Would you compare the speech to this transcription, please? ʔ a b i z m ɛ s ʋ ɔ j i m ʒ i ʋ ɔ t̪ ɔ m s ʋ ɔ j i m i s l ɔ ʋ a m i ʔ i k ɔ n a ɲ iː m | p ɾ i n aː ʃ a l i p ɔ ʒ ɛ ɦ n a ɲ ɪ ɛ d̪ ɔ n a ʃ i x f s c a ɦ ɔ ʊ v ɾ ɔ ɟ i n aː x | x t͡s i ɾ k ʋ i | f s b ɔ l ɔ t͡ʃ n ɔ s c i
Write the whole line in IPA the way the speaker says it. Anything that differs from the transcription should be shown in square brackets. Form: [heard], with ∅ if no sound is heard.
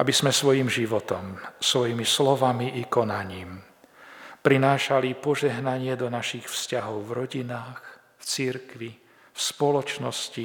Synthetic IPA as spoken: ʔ a b i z m ɛ s ʋ ɔ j i m ʒ i ʋ ɔ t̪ ɔ m s ʋ ɔ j i m i s l ɔ ʋ a m i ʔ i k ɔ n a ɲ iː m | p ɾ i n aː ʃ a l i p ɔ ʒ ɛ ɦ n a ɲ ɪ ɛ d̪ ɔ n a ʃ i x f s c a ɦ ɔ ʊ v ɾ ɔ ɟ i n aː x | [f] t͡s i ɾ k ʋ i | f s [p] ɔ l ɔ t͡ʃ n ɔ s c i